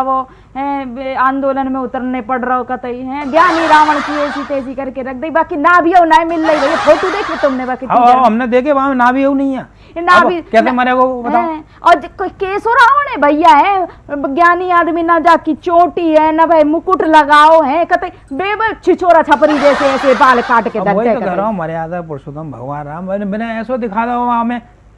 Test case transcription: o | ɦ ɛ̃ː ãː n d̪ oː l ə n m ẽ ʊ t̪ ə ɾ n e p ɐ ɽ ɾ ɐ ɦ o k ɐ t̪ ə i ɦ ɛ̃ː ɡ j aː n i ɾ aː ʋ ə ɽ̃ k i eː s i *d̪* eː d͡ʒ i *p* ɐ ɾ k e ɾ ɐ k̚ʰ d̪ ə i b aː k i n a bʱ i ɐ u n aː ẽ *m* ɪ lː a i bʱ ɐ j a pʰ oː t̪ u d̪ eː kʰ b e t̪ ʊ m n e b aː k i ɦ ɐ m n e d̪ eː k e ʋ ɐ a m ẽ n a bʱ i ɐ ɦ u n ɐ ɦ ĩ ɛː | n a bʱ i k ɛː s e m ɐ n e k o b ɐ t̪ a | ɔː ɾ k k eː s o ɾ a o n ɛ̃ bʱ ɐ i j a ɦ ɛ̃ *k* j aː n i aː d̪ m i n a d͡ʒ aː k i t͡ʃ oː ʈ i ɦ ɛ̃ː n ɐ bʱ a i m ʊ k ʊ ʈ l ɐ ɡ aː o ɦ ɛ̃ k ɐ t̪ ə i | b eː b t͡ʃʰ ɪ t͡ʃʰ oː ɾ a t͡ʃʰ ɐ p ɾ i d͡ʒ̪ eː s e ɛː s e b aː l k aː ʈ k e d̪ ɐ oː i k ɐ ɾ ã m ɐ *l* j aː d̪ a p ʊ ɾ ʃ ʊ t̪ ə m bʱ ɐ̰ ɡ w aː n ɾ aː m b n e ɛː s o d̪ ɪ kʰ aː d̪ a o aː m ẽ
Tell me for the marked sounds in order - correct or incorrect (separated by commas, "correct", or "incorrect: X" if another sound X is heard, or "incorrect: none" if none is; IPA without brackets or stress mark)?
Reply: incorrect: t̪, incorrect: k, correct, incorrect: ɡ, incorrect: ɾ